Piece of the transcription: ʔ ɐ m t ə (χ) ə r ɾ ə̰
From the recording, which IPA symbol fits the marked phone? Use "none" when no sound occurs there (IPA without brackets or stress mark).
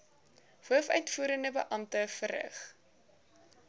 f